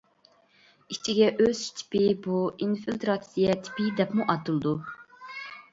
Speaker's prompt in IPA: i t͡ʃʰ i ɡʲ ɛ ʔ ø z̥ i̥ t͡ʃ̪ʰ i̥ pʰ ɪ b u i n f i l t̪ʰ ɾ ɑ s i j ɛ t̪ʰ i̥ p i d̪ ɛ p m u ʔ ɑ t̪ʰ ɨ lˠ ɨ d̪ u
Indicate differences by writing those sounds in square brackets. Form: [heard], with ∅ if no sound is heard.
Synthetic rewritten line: i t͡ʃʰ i ɡʲ ɛ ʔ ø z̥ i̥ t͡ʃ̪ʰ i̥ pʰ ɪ b u i n f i l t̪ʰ ɾ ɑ s i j ɛ t̪ʰ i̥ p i d̪ ɛ p m u ʔ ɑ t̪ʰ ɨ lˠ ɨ d̪ u

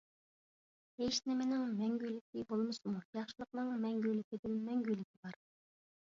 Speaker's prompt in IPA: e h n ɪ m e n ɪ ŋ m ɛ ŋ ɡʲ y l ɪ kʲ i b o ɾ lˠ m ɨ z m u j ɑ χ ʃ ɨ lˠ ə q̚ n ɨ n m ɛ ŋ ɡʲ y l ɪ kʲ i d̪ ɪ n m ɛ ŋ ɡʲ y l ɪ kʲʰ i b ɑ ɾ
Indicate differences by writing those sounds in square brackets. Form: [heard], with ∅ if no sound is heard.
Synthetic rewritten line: e [ʃ] n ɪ m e n ɪ ŋ m ɛ ŋ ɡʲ y l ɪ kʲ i b o [∅] lˠ m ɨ [s] m u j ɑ χ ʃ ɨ lˠ ə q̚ n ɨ [ŋ] m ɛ ŋ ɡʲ y l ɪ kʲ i d̪ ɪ n m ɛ ŋ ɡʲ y l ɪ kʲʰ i b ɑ ɾ

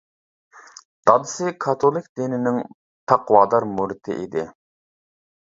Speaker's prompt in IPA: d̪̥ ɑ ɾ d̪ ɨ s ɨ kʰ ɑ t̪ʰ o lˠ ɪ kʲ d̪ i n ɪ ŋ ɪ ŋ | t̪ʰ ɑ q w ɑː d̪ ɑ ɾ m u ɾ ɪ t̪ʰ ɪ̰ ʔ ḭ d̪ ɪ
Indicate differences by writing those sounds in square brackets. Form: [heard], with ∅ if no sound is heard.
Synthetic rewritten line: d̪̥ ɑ [∅] d̪ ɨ s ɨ kʰ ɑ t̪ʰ o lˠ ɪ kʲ d̪ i n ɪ [n] ɪ ŋ | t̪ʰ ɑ q w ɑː d̪ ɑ ɾ m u ɾ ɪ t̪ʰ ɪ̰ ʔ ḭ d̪ ɪ

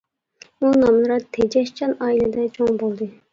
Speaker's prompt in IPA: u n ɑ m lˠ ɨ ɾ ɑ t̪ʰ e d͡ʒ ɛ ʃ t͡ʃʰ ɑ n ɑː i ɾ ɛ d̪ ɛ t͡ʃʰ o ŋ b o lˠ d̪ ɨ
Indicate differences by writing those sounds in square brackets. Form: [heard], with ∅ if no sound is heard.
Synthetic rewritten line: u n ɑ m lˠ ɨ ɾ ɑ t̪ʰ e d͡ʒ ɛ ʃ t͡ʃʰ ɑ n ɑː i [l] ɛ d̪ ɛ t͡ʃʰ o ŋ b o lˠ d̪ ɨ

